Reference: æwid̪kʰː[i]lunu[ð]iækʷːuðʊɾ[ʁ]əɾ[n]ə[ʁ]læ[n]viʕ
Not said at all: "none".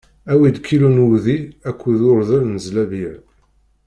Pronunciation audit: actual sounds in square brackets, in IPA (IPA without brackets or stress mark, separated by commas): i, ð, ð, n, z, none